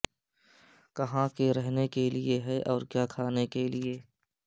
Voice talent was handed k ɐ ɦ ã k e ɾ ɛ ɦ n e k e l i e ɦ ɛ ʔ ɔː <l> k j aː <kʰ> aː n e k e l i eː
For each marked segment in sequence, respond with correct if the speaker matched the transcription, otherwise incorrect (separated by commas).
incorrect, correct